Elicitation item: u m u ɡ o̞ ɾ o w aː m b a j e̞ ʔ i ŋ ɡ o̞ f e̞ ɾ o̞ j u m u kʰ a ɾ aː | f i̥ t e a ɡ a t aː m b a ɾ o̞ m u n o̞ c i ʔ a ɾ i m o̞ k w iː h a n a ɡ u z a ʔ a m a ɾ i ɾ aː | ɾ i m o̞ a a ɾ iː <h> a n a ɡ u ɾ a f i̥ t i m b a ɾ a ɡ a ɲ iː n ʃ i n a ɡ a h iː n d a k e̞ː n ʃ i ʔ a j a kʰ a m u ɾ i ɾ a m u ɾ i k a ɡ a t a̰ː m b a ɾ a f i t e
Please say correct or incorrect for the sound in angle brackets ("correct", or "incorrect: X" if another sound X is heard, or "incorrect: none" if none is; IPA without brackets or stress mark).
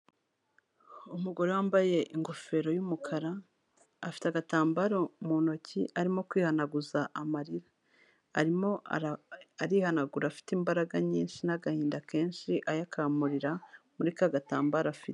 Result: correct